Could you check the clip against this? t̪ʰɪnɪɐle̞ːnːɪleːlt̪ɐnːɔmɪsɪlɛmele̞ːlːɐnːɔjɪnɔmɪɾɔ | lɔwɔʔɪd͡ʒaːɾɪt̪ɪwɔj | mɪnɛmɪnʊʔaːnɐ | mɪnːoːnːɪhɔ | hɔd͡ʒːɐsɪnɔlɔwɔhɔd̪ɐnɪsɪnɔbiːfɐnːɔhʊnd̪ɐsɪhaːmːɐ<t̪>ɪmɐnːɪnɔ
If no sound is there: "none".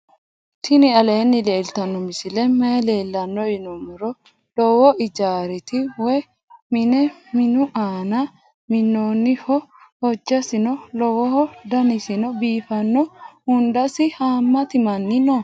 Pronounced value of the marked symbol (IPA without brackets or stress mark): t̪